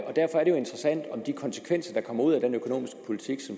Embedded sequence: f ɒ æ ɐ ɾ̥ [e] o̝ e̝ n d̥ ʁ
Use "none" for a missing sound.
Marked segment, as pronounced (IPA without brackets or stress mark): e